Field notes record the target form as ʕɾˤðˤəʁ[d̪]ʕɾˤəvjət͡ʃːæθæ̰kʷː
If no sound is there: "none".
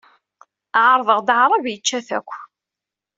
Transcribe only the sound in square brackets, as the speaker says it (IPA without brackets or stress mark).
d̪